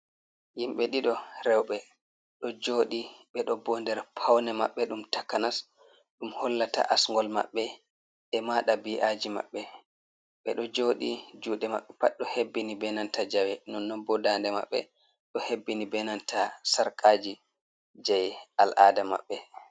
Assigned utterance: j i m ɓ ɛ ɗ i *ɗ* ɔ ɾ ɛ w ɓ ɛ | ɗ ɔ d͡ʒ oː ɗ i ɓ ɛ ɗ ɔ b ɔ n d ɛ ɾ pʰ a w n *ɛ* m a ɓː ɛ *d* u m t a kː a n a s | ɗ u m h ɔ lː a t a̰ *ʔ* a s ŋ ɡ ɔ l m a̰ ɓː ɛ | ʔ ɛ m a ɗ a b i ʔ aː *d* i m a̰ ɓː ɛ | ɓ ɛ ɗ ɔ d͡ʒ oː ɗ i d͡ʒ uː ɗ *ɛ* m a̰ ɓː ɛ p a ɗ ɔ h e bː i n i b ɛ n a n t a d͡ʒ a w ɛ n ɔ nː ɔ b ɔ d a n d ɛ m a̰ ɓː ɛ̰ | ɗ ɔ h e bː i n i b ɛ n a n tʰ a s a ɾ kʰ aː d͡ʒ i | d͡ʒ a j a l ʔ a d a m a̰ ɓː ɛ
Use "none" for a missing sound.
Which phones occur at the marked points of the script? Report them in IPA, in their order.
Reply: ɗ, ɛ, ɗ, ʔ, d͡ʒ, ɛ

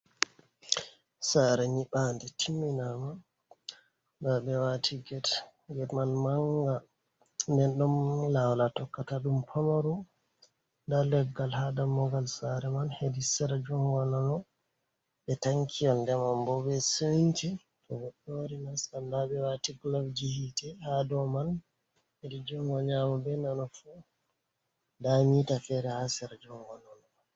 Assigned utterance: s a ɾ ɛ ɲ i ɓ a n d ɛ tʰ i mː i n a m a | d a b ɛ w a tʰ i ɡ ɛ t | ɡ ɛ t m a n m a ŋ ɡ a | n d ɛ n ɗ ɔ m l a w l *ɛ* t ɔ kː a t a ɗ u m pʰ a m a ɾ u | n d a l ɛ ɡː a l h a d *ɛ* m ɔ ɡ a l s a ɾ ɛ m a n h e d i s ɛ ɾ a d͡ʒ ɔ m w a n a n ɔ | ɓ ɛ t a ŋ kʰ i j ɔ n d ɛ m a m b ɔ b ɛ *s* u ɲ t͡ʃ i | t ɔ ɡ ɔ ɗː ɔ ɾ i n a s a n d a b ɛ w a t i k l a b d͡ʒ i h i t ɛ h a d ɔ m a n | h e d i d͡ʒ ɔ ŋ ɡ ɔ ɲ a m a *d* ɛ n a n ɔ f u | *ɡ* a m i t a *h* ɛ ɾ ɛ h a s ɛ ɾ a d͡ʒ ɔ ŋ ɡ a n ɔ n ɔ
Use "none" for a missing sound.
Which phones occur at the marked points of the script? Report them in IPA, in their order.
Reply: a, a, s, b, d, f

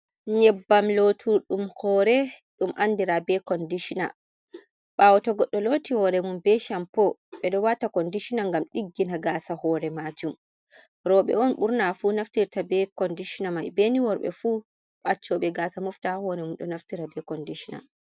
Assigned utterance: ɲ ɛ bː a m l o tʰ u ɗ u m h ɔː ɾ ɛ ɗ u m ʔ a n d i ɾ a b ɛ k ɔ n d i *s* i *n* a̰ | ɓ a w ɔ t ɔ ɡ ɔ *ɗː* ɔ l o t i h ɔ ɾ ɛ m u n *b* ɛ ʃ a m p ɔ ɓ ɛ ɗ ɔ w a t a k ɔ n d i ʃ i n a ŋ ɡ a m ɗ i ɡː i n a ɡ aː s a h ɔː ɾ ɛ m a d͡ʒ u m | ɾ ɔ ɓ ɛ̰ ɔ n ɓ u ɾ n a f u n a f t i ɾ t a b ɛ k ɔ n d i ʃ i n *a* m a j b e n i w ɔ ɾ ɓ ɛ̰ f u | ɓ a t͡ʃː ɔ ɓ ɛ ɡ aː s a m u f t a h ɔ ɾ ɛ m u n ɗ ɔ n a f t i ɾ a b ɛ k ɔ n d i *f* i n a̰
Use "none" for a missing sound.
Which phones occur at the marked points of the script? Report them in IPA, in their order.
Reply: ʃ, n, ɗː, b, a, ʃ

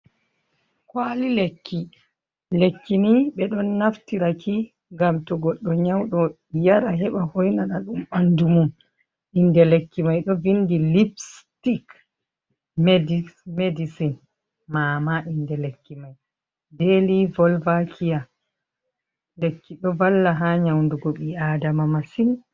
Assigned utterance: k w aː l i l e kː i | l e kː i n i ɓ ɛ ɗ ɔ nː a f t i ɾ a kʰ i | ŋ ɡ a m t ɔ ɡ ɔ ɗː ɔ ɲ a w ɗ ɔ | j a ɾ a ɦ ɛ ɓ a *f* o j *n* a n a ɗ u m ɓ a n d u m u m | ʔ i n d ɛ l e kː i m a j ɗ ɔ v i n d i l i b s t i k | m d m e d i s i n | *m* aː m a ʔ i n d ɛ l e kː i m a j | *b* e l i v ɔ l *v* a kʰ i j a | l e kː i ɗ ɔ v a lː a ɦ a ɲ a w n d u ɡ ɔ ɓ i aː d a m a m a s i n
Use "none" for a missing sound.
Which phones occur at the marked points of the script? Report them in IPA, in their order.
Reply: h, n, m, d, v

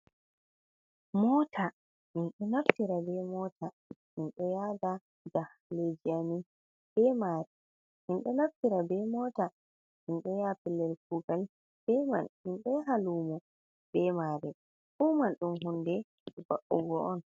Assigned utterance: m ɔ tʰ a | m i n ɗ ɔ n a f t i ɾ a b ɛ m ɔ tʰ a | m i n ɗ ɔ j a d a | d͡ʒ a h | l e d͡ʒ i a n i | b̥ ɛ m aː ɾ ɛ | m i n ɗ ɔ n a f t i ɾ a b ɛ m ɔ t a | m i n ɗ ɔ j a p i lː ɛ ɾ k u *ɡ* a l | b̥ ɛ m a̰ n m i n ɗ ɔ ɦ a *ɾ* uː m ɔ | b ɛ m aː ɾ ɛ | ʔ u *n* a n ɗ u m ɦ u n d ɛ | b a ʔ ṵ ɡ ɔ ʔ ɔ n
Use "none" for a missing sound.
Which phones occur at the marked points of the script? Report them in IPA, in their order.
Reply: ɡ, l, m

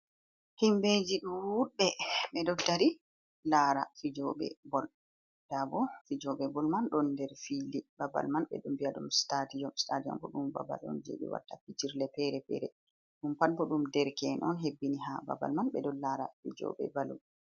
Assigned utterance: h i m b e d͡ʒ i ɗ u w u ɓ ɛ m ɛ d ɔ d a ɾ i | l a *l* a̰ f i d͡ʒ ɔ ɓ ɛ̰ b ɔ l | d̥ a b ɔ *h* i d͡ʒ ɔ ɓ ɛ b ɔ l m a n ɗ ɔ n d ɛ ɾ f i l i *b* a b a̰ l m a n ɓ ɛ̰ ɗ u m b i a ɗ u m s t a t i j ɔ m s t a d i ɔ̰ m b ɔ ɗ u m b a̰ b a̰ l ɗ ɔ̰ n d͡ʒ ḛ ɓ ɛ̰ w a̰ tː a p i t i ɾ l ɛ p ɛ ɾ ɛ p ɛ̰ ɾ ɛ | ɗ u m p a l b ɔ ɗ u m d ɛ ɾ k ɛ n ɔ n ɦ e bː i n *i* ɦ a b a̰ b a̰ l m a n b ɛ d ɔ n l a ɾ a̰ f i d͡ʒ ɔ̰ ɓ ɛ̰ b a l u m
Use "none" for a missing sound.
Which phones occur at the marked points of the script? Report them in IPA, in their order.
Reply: ɾ, f, b, i

